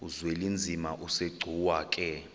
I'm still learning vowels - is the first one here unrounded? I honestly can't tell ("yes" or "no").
no